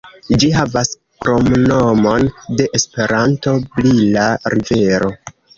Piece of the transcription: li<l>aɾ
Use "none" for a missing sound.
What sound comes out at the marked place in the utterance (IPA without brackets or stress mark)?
l